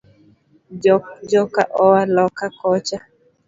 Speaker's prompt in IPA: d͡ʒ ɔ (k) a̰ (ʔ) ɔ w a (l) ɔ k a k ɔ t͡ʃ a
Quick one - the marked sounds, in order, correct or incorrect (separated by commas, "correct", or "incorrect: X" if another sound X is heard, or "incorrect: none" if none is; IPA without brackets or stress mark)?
correct, correct, correct